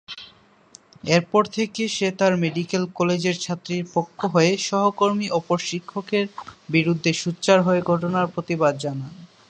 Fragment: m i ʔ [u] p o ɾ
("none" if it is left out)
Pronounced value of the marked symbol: ɔ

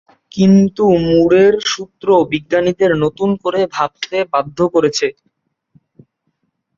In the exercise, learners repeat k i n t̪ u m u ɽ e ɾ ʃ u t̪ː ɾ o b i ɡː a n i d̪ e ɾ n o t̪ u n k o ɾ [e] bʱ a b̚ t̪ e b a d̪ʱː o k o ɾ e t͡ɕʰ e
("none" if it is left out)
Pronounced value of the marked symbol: e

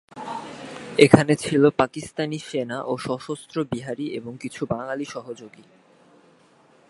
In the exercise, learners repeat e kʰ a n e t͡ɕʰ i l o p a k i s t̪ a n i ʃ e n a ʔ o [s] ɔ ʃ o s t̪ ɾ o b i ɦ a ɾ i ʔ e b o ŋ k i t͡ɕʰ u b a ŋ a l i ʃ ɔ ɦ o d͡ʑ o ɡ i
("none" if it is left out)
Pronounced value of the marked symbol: ʃ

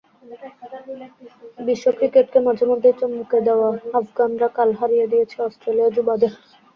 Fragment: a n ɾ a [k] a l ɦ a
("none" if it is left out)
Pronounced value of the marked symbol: k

